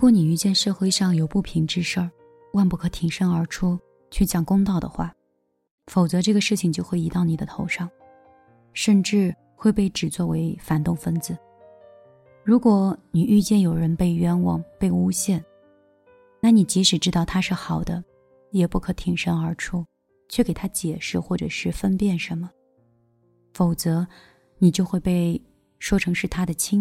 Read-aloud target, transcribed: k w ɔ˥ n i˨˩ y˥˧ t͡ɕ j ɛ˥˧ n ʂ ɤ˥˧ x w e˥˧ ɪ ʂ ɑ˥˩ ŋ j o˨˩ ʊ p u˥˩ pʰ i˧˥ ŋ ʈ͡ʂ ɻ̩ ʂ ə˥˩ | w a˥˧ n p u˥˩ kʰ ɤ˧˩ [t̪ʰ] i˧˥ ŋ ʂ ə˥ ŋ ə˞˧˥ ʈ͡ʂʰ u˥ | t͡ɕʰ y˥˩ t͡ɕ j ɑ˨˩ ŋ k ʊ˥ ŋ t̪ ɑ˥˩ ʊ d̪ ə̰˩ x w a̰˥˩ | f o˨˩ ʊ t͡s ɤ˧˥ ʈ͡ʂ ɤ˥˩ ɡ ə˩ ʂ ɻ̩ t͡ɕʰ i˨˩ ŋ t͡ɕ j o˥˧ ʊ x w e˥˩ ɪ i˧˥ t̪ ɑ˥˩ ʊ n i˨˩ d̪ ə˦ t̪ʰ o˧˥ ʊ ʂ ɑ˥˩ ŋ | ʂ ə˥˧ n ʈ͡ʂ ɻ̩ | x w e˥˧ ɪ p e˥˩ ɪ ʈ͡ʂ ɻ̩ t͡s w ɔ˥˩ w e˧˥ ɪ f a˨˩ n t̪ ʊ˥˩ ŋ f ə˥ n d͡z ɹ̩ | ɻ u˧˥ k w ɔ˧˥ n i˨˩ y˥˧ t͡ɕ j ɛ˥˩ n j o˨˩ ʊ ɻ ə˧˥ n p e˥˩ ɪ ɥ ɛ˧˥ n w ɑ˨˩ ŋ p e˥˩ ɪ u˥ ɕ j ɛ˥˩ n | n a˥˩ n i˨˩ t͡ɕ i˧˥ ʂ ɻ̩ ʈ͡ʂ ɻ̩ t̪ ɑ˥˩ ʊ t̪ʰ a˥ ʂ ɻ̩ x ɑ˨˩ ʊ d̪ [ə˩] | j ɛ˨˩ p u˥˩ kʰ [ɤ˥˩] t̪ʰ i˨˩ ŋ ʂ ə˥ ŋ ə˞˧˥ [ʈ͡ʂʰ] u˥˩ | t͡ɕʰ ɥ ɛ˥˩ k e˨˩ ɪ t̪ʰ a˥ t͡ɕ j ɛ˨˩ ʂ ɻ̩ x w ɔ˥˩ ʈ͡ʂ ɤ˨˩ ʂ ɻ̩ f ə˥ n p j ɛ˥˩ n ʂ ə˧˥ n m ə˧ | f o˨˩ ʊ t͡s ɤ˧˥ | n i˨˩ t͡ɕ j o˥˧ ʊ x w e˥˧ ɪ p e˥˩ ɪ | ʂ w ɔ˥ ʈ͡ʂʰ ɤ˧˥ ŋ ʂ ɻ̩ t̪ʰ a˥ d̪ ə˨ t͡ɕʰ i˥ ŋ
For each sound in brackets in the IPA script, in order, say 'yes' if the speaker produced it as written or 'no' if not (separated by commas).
yes, no, no, yes